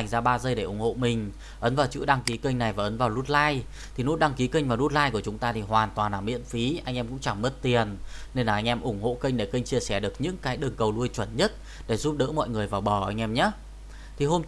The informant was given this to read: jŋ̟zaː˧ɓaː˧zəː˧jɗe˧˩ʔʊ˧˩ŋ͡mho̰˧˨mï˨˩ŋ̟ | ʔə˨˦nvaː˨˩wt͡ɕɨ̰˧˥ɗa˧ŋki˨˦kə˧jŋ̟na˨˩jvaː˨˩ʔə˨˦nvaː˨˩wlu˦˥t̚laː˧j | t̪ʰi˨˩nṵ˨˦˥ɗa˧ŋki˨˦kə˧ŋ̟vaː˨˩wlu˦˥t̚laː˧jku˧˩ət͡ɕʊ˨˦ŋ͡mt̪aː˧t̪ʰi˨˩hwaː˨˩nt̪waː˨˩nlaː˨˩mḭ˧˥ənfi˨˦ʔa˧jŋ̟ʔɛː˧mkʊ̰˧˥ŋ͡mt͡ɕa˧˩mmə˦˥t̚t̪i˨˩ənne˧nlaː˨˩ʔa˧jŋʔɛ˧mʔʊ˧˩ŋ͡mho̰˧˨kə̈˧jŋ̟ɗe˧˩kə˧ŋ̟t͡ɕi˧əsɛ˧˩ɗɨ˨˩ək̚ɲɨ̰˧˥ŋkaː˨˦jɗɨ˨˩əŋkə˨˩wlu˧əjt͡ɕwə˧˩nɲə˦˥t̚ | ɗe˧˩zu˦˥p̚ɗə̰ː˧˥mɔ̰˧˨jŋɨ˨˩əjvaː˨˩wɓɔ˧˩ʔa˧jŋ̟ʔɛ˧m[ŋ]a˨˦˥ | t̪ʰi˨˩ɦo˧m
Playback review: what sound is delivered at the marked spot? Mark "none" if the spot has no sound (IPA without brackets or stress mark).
ɲ